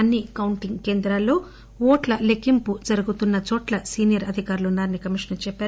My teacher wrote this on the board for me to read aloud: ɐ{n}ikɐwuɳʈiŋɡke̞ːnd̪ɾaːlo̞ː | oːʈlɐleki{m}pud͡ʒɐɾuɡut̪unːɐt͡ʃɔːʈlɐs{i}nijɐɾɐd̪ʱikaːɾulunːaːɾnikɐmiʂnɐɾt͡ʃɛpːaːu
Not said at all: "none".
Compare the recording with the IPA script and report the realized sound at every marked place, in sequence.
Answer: nː, m, iː

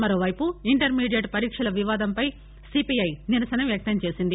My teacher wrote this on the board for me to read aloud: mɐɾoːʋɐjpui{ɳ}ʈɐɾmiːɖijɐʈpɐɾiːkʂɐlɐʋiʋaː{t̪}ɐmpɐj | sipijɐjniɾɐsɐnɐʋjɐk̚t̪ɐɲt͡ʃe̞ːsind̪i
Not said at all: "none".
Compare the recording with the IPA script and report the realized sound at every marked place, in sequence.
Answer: ɳ, d̪

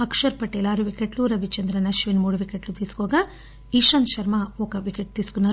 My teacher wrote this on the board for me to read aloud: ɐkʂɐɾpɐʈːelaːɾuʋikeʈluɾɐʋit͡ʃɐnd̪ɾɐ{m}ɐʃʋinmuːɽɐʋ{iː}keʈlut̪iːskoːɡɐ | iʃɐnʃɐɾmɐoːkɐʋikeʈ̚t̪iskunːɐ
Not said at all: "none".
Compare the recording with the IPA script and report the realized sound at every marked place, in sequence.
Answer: n, i

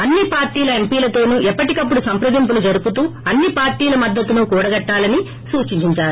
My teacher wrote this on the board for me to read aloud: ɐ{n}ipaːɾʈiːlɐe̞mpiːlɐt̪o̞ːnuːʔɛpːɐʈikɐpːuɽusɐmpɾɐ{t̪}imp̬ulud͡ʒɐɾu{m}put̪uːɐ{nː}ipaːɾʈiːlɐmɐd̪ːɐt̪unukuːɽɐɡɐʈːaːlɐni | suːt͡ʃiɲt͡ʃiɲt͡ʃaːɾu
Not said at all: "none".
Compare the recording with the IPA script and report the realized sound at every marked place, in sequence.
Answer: nː, d̪, none, nː

